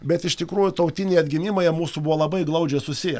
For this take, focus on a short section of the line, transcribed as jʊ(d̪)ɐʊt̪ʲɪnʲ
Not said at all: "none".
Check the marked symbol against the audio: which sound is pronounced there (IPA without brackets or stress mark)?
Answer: t̪